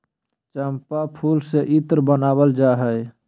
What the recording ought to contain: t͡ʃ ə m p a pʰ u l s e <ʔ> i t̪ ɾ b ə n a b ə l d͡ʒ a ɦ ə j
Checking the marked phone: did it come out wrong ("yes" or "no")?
no